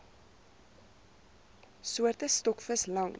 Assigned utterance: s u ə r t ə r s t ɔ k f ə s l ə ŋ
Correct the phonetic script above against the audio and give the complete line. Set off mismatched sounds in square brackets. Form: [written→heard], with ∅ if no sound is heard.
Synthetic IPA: s u ə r t ə [r→∅] s t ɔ k f ə s l [ə→ɐ] ŋ